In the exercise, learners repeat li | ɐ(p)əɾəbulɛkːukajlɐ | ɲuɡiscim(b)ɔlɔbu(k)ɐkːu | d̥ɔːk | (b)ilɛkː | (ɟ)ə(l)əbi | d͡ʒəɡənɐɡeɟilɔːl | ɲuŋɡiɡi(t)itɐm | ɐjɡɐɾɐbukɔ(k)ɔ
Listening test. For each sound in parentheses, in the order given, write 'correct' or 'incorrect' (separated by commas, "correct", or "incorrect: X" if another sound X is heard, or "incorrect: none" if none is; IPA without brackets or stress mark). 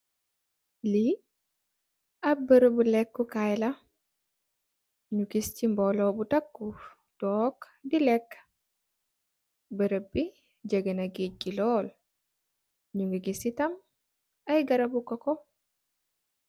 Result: incorrect: b, correct, incorrect: t, incorrect: d, incorrect: b, incorrect: ɾ, incorrect: s, correct